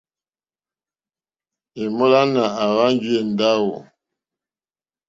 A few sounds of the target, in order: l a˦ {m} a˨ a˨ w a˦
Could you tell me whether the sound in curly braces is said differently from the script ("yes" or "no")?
yes